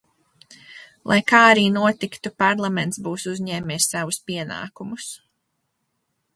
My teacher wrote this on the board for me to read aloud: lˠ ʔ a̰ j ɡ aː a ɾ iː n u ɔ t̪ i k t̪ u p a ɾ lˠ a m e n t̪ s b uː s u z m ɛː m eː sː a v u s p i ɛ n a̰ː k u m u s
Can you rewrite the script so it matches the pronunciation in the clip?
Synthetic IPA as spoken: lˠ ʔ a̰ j k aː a ɾ iː n u ɔ t̪ i k t̪ u p a ɾ lˠ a m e n t̪ s b uː s u z ɲ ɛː m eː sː a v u s p i ɛ n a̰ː k u m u s